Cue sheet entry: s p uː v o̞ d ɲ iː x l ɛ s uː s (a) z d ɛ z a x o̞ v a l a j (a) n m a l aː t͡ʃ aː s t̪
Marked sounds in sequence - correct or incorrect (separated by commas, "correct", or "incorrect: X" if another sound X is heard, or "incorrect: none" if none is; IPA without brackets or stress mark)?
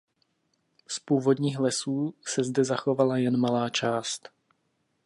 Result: incorrect: ɛ, incorrect: ɛ